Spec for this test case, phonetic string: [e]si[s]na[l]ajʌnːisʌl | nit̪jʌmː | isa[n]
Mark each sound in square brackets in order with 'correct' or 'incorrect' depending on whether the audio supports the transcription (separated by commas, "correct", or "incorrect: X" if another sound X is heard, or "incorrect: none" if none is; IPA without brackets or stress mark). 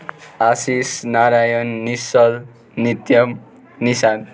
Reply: incorrect: a, correct, incorrect: ɾ, correct